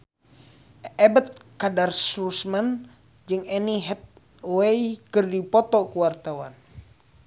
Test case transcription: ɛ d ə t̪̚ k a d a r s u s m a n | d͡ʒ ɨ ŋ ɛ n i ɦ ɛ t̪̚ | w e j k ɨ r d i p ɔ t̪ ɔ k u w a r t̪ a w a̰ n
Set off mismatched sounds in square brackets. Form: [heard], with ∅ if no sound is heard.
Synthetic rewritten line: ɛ [b] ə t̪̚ k a d a r s u s m a n | d͡ʒ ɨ ŋ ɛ n i ɦ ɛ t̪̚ | w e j k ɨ r d i p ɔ t̪ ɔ k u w a r t̪ a w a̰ n